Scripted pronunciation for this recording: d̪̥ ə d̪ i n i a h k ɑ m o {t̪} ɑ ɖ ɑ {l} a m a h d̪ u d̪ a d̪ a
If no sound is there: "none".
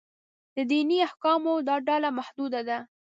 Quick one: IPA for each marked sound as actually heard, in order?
d̪, l

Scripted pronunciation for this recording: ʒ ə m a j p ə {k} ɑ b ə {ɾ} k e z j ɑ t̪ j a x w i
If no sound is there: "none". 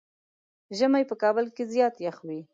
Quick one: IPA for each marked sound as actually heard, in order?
k, l

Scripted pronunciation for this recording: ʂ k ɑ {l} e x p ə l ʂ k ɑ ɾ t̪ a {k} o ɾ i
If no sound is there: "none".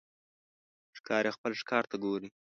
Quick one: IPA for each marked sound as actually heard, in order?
ɾ, ɡ

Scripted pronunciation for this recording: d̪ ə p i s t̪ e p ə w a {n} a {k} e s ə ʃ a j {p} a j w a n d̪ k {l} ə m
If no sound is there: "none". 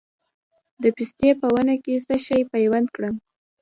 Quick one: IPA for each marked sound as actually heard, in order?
n, k, p, ɽ

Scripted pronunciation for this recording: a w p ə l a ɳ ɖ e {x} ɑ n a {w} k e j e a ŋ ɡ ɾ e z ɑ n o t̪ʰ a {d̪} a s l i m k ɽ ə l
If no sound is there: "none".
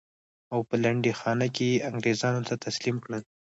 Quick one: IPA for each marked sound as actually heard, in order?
x, none, t̪

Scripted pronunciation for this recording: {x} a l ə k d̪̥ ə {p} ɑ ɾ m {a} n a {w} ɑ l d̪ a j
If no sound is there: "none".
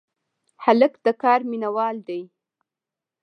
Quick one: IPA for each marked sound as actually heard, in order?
h, k, i, w

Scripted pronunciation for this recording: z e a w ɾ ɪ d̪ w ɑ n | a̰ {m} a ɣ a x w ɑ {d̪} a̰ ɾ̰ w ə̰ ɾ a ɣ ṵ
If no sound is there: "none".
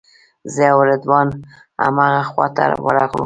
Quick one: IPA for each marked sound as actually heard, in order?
m, t̪

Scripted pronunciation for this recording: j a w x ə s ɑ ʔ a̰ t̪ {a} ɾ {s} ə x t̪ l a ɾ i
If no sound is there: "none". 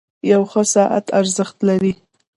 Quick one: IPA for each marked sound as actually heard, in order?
a, z

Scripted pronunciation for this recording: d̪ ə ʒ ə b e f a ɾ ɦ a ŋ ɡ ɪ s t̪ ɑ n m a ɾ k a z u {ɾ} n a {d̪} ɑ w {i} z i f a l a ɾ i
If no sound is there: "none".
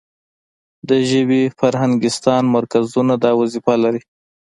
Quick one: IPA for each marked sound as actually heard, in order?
none, d̪, a

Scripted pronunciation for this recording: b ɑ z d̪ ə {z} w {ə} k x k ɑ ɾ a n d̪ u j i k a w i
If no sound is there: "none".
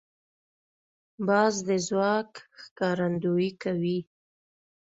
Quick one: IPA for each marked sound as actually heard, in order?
z, ɑ

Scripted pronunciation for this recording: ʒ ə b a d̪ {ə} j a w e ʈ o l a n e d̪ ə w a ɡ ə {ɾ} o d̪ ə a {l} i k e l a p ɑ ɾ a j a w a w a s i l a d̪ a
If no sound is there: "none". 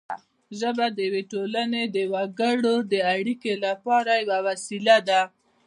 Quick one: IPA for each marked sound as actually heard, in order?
ə, ɽ, ɽ

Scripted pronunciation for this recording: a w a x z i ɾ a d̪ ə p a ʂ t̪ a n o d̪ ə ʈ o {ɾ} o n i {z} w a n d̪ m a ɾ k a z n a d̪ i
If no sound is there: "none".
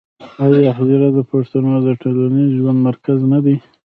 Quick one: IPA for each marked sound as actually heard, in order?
l, ʒ

